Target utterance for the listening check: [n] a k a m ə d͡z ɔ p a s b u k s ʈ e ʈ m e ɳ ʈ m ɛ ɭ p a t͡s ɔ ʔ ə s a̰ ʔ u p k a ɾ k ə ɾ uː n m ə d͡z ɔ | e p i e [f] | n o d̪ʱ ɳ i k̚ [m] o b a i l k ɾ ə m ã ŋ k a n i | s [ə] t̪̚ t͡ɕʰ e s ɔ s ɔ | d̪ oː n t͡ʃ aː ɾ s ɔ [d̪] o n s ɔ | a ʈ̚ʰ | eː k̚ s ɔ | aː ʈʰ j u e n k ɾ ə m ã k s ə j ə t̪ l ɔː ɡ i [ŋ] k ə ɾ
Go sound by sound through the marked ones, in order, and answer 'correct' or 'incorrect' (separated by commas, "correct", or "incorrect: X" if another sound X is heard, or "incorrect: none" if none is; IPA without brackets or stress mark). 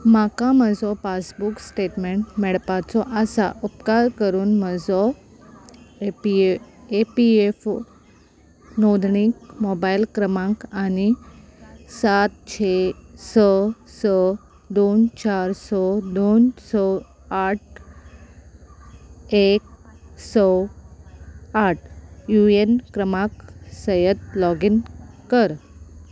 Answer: incorrect: m, correct, correct, incorrect: a, correct, incorrect: n